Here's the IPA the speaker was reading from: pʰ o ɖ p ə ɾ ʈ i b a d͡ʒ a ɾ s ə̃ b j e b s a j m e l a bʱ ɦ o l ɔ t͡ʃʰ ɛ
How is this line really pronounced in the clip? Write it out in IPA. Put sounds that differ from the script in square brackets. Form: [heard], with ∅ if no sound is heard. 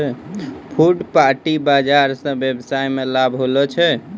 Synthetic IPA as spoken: pʰ [u] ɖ p [a] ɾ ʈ i b a d͡ʒ a ɾ s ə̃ b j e b s a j m e l a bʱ ɦ o l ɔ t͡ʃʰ ɛ